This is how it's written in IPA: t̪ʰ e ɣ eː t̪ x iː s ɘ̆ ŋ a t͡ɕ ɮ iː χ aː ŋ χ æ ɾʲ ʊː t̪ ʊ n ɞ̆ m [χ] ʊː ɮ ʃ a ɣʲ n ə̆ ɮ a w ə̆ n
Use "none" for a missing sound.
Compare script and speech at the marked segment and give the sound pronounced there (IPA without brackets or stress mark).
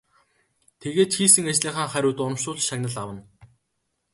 ʃ